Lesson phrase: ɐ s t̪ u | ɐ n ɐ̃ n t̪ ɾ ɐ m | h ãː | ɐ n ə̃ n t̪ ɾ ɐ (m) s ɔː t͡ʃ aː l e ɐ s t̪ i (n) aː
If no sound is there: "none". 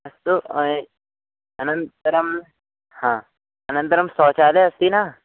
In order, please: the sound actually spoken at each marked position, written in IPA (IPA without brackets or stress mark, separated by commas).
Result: m, n